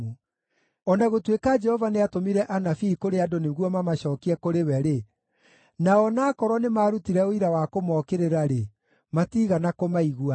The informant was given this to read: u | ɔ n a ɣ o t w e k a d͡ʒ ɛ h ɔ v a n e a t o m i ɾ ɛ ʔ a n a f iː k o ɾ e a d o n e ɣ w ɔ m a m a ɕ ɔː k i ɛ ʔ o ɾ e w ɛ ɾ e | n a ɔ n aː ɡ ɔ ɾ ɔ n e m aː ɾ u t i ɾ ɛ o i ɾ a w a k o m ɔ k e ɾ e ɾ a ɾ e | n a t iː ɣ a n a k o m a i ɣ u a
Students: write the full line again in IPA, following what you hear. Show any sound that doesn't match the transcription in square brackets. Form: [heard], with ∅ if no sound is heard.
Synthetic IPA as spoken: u | ɔ n a ɣ o t w e k a d͡ʒ ɛ h ɔ v a n e a t o m i ɾ ɛ ʔ a n a f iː k o ɾ e a d o n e ɣ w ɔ m a m a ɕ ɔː k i ɛ [k] o ɾ e w ɛ ɾ e | n a ɔ n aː [k] ɔ ɾ ɔ n e m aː ɾ u t i ɾ ɛ o i ɾ a w a k o m ɔ k e ɾ e ɾ a ɾ e | [m] a t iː ɣ a n a k o m a i ɣ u a